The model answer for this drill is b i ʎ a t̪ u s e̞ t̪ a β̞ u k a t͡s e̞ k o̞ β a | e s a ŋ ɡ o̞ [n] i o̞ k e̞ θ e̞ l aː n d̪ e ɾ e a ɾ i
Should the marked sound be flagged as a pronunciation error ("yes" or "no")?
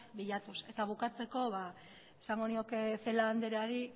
no